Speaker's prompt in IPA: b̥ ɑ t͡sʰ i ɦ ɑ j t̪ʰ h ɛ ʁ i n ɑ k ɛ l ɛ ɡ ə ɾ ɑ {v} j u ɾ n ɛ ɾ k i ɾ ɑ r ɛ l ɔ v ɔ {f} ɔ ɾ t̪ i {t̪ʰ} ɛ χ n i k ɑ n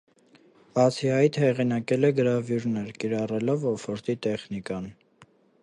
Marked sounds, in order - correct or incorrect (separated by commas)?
correct, correct, incorrect